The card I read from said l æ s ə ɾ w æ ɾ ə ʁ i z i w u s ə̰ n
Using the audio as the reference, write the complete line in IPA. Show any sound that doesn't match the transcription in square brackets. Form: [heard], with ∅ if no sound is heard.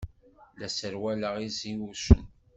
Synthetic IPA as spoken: l æ s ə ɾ w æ [l] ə ʁ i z i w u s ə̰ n